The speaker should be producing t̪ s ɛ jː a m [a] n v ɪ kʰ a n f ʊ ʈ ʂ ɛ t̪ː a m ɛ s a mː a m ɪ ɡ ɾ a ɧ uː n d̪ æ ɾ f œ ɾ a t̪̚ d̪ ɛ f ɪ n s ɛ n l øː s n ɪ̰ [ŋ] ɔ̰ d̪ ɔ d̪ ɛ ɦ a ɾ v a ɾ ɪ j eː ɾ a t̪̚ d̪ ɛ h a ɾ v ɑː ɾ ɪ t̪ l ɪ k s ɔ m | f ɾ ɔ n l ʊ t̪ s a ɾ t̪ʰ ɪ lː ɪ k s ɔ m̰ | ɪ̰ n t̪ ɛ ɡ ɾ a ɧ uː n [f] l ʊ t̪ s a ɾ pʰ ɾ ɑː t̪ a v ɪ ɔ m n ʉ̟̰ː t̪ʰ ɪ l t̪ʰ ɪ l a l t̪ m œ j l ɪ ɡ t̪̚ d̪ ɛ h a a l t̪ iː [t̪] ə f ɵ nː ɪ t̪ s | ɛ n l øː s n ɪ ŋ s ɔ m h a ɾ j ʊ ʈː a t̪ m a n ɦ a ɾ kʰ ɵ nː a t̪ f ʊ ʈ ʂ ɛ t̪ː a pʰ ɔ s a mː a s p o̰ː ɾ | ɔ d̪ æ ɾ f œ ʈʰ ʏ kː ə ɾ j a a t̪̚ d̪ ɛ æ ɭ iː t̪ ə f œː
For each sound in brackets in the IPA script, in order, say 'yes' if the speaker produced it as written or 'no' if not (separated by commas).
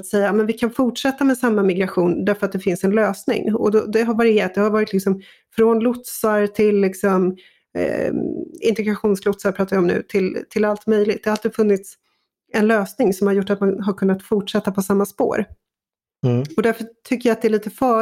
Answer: no, yes, no, no